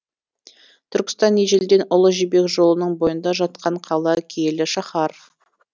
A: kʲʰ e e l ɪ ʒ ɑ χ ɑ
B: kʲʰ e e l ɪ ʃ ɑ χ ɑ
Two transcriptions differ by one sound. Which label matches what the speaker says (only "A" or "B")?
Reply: B